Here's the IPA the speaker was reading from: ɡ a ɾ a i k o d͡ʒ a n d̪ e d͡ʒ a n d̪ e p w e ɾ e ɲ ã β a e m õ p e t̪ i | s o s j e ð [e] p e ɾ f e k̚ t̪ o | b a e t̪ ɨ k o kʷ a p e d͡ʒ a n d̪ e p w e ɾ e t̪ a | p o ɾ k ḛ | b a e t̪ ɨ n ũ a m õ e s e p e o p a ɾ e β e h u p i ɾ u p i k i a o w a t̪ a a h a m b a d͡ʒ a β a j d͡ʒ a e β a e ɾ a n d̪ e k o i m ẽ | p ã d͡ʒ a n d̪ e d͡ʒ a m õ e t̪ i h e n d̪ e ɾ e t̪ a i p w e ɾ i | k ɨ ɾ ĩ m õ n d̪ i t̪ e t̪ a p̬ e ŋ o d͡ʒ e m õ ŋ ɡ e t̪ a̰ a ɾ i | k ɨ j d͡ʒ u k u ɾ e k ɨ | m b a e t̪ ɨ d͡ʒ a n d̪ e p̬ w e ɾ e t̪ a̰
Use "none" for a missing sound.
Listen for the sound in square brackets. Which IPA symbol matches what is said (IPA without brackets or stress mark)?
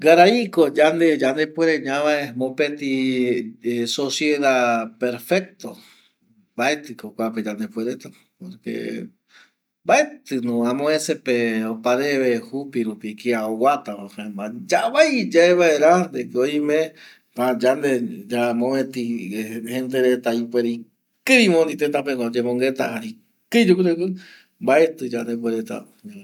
a